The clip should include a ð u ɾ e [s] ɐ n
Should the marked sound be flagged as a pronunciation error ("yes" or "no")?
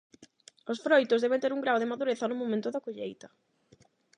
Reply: yes